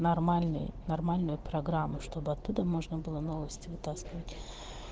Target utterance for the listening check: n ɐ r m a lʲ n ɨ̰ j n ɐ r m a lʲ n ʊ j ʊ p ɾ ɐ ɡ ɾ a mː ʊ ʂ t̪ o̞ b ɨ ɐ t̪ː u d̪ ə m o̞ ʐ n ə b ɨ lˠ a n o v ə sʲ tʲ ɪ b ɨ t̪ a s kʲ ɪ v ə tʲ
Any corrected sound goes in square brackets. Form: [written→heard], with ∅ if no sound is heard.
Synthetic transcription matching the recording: n ɐ r m a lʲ n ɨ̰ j n ɐ r m a lʲ n ʊ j ʊ p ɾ ɐ ɡ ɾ a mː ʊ ʂ t̪ o̞ b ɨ ɐ t̪ː u d̪ ə m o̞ ʐ n ə b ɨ lˠ [a→ə] n o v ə sʲ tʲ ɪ [b→v] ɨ t̪ a s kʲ ɪ v ə tʲ